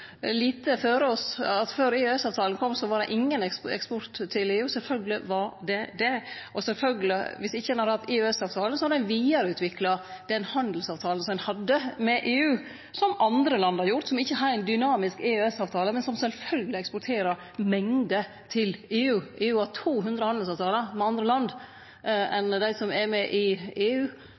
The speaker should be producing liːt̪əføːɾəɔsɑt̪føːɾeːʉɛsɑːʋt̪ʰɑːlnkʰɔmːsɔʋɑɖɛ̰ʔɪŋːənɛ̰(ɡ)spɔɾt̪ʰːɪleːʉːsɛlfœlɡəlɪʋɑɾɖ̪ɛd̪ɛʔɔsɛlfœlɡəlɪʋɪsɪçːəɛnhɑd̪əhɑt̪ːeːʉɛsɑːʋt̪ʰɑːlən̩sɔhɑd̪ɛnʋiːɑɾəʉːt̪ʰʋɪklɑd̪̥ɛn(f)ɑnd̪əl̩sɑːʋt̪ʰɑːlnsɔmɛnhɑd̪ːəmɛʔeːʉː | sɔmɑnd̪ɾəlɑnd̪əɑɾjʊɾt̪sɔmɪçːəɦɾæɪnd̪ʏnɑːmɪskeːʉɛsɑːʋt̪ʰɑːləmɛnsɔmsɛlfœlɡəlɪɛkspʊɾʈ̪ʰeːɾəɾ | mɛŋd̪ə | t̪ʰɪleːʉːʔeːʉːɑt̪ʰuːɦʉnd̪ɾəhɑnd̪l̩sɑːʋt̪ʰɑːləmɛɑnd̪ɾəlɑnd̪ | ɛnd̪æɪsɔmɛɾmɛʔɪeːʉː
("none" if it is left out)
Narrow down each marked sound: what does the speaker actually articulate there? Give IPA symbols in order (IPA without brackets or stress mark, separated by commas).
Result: k, h